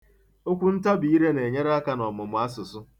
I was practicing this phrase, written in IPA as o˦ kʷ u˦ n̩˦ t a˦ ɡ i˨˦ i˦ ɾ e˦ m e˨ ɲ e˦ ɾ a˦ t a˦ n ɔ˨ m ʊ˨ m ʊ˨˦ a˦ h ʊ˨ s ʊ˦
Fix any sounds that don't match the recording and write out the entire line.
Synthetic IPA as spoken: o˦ kʷ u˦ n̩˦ t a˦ b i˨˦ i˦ ɾ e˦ n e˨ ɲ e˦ ɾ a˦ k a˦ n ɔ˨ m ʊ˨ m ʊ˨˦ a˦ s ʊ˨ s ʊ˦